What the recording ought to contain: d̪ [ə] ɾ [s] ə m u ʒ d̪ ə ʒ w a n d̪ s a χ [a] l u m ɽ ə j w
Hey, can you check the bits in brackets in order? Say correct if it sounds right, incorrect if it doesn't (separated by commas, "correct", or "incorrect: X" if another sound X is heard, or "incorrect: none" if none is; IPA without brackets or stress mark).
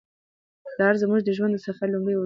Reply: incorrect: ɑ, incorrect: z, correct